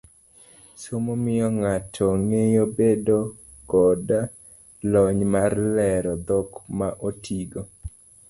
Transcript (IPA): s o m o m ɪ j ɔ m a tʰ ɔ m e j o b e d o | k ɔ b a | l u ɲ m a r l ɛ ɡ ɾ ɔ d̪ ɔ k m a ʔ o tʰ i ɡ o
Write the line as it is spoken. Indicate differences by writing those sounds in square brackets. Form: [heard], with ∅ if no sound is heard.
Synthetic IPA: s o m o m ɪ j ɔ [ŋ] a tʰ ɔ [ŋ] e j o b e d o | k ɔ [d] a | l [ɔ] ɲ m a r l ɛ [∅] ɾ ɔ d̪ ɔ k m a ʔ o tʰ i ɡ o